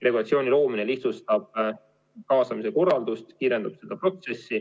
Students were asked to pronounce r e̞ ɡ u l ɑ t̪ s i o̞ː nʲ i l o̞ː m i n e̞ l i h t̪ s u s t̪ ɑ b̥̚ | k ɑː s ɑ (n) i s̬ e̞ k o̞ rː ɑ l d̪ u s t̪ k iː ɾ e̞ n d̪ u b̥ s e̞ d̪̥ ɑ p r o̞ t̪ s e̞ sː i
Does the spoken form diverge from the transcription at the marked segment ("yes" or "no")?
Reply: yes